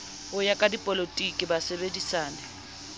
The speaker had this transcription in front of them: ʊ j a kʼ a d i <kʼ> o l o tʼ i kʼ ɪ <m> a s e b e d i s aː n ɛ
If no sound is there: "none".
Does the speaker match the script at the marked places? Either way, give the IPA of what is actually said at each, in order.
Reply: pʼ, b

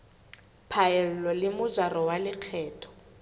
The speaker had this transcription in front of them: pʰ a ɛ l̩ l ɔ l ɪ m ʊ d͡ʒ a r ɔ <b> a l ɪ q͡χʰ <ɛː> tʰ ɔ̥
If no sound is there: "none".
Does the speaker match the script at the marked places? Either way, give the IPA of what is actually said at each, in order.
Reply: w, ɛː

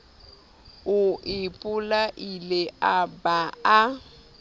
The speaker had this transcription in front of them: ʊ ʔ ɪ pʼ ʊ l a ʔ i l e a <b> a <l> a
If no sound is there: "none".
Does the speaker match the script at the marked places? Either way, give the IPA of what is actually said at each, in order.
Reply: b, none

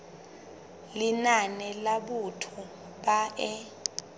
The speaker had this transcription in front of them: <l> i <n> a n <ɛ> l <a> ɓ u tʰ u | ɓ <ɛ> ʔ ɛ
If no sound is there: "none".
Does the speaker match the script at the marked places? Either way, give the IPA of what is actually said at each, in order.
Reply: l, n, ɛ, a, a

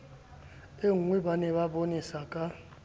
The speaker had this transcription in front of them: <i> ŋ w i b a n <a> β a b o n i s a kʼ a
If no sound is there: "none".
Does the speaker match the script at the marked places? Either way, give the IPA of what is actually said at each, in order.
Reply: e, ɛ

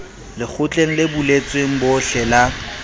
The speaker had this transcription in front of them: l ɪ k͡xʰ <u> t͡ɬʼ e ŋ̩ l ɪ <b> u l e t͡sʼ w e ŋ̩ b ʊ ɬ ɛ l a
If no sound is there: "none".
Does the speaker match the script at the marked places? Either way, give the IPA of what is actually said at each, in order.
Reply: ʊ, b

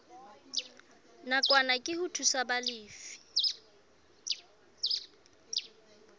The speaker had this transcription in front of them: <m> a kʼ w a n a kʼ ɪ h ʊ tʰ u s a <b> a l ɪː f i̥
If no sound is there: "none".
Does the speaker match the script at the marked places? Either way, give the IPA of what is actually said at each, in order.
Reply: n, b

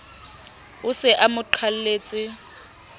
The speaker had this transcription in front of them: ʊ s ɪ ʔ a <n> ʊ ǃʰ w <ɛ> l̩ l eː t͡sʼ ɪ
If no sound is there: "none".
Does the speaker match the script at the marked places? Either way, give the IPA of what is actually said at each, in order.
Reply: m, a

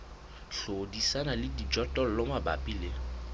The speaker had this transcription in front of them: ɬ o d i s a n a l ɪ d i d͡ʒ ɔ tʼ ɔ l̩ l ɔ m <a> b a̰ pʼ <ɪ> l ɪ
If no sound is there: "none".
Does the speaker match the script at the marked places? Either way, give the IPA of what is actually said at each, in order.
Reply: a, i

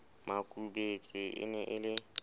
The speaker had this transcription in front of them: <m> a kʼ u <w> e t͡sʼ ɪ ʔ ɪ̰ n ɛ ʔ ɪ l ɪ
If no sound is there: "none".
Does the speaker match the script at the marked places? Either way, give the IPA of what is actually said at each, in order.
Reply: m, b

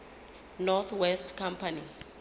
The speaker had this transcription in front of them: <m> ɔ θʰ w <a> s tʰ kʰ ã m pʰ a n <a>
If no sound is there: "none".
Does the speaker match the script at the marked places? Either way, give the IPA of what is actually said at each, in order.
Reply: n, ɛ, i

